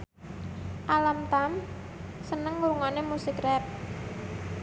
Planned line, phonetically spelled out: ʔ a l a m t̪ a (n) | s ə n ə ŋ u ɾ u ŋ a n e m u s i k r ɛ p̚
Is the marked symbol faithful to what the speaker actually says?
no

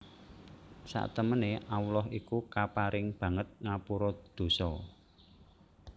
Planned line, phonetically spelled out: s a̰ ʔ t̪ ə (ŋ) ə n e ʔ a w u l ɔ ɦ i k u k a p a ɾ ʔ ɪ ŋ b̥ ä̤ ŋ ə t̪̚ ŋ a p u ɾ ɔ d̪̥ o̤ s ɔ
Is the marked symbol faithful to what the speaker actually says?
no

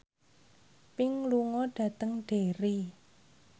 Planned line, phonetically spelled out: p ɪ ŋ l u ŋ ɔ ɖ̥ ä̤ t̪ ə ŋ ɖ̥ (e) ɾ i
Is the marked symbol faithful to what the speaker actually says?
yes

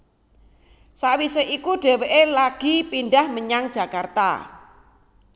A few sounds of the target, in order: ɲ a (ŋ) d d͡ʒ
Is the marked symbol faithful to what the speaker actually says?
yes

